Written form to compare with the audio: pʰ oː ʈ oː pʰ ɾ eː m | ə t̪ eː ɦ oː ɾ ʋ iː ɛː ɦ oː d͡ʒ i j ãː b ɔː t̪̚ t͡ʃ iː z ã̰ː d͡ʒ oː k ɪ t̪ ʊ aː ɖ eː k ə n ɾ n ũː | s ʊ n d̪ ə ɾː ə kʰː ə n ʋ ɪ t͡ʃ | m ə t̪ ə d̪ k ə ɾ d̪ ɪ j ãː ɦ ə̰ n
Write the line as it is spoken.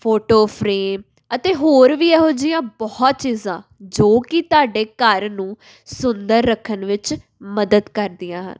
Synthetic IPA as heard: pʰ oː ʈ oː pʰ ɾ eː m | ə t̪ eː ɦ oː ɾ ʋ iː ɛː ɦ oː d͡ʒ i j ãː b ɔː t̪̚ t͡ʃ iː z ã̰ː d͡ʒ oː k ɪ t̪ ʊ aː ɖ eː k ə ɾ n ũː | s ʊ n d̪ ə ɾː ə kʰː ə n ʋ ɪ t͡ʃ | m ə d̪ ə d̪ k ə ɾ d̪ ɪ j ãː ɦ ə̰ n

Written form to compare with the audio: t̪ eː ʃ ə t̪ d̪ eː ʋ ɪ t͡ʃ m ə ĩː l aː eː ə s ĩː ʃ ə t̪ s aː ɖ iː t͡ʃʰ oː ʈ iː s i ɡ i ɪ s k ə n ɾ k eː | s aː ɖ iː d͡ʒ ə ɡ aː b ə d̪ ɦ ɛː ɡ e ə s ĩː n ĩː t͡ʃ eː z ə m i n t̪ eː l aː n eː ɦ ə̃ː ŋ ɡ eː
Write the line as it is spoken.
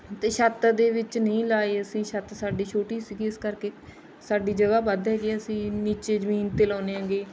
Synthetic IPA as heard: t̪ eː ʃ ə t̪ d̪ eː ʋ ɪ t͡ʃ n ə ĩː l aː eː ə s ĩː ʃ ə t̪ s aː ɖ iː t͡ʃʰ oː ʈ iː s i ɡ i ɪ s k ə ɾ k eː | s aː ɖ iː d͡ʒ ə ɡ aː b ə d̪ ɦ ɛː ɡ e ə s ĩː n iː t͡ʃ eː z ə m iː n t̪ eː l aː n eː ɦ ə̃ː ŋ ɡ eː

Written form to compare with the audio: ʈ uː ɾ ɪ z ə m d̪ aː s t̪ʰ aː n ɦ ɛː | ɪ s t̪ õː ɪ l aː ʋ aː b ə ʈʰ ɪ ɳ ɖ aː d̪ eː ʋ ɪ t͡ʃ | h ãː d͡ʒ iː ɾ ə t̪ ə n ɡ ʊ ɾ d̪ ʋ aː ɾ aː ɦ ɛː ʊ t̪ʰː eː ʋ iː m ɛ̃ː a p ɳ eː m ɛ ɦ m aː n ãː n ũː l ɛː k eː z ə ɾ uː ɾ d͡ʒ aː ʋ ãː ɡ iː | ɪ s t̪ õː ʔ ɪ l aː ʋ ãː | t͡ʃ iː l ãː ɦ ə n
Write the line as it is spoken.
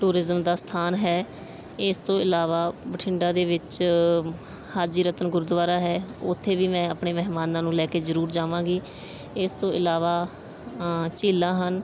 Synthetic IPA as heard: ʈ uː ɾ ɪ z ə m d̪ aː s t̪ʰ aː n ɦ ɛː | ɪ s t̪ õː ɪ l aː ʋ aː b ə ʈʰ ɪ ɳ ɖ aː d̪ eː ʋ ɪ t͡ʃ | h aː d͡ʒ iː ɾ ə t̪ ə n ɡ ʊ ɾ d̪ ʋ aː ɾ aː ɦ ɛː ʊ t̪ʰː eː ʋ iː m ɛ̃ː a p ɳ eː m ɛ ɦ m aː n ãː n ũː l ɛː k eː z ə ɾ uː ɾ d͡ʒ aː ʋ ãː ɡ iː | ɪ s t̪ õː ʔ ɪ l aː ʋ aː | t͡ʃ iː l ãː ɦ ə n

